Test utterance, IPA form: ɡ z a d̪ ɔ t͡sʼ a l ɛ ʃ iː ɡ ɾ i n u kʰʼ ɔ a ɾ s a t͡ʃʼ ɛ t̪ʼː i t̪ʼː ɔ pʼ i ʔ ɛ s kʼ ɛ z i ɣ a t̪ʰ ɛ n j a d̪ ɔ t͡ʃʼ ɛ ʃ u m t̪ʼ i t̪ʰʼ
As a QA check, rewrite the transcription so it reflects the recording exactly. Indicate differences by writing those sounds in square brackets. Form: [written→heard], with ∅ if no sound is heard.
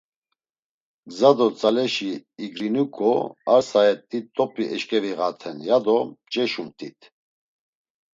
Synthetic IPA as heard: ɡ z a d̪ ɔ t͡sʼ a l ɛ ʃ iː ɡ ɾ i n u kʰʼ ɔ a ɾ s a [t͡ʃʼ→∅] ɛ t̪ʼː i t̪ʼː ɔ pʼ i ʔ ɛ [s→ʃ] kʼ ɛ [z→v] i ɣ a t̪ʰ ɛ n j a d̪ ɔ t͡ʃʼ ɛ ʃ u m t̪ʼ i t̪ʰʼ

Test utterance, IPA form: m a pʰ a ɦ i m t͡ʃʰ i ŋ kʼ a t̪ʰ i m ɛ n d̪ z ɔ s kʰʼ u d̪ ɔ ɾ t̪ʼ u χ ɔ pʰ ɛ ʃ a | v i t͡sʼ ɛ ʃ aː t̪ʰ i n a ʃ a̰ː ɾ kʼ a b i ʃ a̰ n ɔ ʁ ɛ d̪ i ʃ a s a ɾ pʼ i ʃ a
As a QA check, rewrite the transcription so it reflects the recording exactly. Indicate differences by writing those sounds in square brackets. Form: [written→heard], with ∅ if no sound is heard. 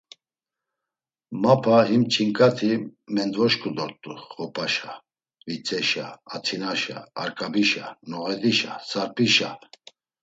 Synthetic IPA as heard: m a pʰ a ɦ i m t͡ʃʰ i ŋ kʼ a t̪ʰ i m ɛ n d̪ [z→v] ɔ [s→ʃ] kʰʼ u d̪ ɔ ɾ t̪ʼ u χ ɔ pʰ [ɛ→a] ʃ a | v i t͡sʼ ɛ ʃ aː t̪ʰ i n a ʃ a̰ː ɾ kʼ a b i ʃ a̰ n ɔ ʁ ɛ d̪ i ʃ a s a ɾ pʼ i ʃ a

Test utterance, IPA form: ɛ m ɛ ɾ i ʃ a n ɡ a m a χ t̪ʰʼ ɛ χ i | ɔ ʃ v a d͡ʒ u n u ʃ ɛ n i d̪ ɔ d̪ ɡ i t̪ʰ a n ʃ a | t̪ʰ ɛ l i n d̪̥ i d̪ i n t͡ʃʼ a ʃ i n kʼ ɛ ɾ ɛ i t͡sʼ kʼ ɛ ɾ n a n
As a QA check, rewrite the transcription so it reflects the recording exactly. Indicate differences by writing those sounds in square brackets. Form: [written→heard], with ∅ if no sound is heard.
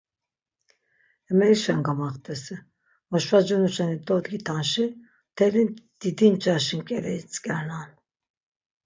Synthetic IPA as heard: ɛ m ɛ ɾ i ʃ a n ɡ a m a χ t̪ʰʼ ɛ [χ→s] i | ɔ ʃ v a d͡ʒ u n u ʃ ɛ n i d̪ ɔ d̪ ɡ i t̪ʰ a n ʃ [a→i] | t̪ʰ ɛ l i n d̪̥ i d̪ i n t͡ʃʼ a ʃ i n kʼ ɛ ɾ ɛ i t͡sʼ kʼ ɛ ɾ n a n

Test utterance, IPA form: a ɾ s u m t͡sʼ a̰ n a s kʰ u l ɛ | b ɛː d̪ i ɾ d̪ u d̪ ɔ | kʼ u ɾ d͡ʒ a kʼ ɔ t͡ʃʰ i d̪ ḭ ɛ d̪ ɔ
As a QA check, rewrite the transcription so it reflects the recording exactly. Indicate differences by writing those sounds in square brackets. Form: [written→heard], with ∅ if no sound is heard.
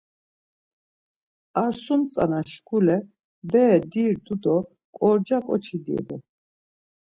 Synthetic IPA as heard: a ɾ s u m t͡sʼ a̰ n a [s→ʃ] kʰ u l ɛ | b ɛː d̪ i ɾ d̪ u d̪ ɔ | kʼ [u→ɔ] ɾ d͡ʒ a kʼ ɔ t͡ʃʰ i d̪ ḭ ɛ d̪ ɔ

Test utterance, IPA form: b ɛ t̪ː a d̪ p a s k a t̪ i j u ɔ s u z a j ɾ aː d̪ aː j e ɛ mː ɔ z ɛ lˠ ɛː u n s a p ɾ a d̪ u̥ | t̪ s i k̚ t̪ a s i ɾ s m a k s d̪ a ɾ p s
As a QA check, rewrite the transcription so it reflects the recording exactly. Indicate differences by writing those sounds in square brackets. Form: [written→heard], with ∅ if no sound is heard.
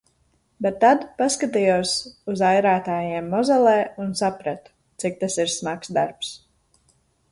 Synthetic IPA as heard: b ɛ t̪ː a d̪ p a s k a t̪ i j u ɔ s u z a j ɾ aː [d̪→t̪] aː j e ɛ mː ɔ z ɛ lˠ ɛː u n s a p ɾ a [d̪→t̪] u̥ | t̪ s i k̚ t̪ a s i ɾ s m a k s d̪ a ɾ p s

